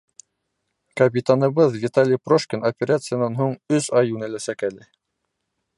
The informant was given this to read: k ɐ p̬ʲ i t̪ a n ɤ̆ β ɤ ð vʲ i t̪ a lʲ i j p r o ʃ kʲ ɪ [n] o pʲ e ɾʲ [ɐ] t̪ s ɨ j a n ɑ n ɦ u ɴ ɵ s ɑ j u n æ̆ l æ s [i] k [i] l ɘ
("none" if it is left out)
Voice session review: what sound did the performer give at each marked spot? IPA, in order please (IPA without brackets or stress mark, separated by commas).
n, a, æ, æ